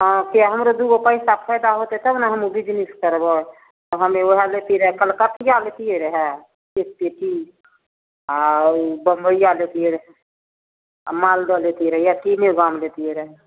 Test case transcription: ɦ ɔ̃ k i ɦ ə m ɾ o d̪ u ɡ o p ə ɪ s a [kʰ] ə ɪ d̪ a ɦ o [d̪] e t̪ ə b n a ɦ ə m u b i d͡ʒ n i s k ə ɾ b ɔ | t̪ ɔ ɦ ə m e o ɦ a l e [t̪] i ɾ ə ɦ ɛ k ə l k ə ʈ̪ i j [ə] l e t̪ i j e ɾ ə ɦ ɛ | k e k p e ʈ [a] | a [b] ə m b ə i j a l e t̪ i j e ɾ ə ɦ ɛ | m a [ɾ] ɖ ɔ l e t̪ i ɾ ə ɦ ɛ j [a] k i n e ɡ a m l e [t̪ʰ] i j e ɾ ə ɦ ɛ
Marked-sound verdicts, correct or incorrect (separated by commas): incorrect, incorrect, correct, incorrect, incorrect, correct, incorrect, correct, incorrect